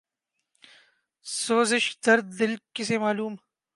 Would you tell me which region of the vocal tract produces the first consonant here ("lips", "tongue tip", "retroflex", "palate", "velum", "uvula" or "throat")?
tongue tip